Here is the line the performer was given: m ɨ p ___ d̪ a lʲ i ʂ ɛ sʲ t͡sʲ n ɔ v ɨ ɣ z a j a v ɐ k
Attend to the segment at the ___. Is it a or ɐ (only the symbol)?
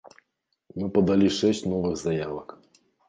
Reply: ɐ